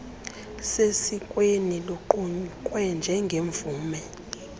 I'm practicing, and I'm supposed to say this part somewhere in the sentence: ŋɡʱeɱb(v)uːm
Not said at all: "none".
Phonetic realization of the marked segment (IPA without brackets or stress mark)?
v